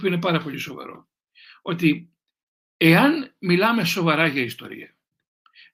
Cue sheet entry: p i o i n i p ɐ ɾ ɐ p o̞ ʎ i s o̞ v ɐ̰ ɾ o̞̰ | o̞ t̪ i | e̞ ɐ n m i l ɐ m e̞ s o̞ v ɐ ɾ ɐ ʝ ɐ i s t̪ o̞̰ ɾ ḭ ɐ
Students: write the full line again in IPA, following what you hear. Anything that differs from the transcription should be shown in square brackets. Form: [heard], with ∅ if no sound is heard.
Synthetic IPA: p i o i n [e] p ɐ ɾ ɐ p o̞ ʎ i s o̞ v ɐ̰ ɾ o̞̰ | o̞ t̪ i | e̞ ɐ n m i l ɐ m e̞ s o̞ v ɐ ɾ ɐ ʝ ɐ i s t̪ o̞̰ ɾ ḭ ɐ